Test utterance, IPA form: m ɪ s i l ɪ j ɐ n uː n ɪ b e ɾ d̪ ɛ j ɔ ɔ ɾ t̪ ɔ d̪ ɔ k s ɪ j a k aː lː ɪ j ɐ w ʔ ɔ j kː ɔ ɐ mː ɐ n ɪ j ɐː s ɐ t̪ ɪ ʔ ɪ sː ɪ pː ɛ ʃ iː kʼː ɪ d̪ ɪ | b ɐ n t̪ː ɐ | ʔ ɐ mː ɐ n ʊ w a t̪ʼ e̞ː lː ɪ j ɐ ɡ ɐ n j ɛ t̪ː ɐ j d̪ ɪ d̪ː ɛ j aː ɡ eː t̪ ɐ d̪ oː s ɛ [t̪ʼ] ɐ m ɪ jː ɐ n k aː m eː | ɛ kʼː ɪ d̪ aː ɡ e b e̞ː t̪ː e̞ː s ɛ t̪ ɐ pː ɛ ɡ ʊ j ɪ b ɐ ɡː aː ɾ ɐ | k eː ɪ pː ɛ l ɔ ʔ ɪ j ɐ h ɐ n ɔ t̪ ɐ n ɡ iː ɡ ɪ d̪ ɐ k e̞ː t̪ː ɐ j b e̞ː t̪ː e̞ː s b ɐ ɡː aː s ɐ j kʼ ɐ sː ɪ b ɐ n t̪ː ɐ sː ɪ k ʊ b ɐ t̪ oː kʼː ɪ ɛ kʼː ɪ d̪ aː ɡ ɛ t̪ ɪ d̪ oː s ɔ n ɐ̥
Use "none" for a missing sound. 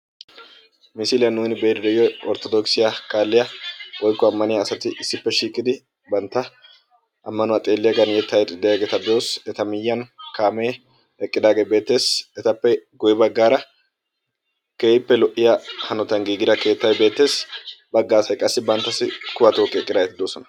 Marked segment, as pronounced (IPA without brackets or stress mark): t̪